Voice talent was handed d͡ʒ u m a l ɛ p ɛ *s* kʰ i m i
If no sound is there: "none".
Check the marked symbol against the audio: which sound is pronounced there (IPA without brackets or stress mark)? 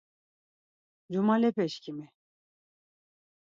ʃ